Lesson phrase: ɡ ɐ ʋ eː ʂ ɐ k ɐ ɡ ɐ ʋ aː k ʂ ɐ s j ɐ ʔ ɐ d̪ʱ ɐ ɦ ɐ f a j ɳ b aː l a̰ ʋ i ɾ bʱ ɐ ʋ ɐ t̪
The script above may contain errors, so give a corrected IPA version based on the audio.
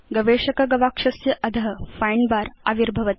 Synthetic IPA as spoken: ɡ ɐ ʋ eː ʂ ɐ k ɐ ɡ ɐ ʋ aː k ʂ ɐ s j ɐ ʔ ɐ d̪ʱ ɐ ɦ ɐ f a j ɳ b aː ɾ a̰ ʋ i ɾ bʱ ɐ ʋ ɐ t̪